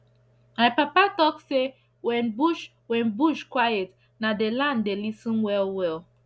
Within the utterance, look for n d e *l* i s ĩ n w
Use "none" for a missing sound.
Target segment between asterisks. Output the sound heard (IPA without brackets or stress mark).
l